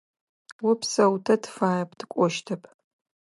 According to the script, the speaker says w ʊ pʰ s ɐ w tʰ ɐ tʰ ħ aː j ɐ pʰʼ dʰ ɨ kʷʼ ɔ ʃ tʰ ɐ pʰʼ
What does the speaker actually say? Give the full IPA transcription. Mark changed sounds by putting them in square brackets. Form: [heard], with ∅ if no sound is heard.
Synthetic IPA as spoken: w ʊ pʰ s ɐ w tʰ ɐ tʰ [f] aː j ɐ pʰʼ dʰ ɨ kʷʼ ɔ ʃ tʰ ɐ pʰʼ